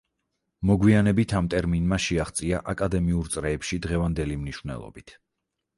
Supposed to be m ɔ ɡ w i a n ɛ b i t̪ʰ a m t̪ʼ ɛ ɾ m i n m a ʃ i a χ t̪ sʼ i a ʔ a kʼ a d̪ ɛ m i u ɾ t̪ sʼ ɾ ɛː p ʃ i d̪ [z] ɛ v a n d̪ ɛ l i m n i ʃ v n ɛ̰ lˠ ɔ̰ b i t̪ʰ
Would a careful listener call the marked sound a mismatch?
yes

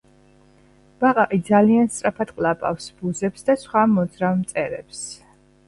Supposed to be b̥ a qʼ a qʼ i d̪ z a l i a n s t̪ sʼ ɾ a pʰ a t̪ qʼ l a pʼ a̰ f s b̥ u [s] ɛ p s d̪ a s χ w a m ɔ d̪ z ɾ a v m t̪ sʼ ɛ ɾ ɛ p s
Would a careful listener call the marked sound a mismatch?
yes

